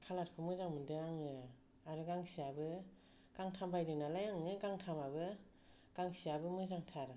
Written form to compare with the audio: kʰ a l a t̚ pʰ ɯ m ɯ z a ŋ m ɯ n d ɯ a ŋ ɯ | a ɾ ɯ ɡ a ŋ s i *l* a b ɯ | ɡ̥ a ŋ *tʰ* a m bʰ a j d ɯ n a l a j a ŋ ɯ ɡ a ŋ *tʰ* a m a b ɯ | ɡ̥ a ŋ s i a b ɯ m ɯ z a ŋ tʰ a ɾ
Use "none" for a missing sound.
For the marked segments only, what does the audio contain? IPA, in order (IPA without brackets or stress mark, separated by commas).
none, tʰ, tʰ